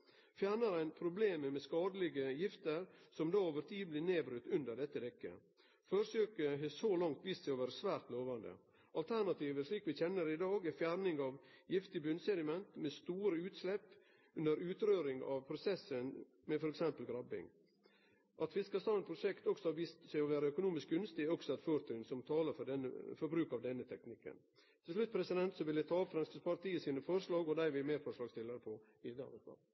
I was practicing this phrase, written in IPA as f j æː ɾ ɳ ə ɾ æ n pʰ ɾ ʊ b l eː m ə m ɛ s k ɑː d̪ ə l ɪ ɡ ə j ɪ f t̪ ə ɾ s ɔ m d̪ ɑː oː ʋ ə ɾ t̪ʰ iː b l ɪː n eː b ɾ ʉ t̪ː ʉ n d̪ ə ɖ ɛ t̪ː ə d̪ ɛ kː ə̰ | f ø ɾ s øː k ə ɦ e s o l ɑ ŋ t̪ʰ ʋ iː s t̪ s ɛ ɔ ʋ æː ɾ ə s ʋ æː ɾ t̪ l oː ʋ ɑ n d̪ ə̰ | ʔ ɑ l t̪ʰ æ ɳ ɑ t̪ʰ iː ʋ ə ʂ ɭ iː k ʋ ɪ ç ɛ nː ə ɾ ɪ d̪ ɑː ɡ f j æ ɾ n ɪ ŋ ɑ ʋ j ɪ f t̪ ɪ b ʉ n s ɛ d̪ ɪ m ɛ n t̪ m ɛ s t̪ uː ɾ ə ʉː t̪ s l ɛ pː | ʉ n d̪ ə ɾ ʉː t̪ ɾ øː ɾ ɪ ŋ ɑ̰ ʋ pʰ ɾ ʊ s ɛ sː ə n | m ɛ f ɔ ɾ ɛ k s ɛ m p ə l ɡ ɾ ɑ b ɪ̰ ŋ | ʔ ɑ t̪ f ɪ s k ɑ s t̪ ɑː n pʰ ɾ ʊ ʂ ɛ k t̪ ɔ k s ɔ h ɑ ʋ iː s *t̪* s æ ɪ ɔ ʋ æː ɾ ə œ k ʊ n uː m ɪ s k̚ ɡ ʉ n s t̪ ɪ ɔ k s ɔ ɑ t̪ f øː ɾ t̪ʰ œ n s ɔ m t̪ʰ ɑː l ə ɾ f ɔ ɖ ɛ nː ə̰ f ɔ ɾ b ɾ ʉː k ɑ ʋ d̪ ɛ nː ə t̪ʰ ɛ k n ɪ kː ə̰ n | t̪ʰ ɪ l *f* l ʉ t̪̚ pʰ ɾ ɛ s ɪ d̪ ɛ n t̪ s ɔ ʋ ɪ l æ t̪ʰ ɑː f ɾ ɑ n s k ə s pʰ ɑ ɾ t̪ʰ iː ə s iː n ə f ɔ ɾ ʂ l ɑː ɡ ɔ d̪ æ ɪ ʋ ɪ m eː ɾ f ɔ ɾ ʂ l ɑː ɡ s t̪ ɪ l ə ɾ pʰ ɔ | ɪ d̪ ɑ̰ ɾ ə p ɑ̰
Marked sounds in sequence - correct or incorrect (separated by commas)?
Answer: correct, incorrect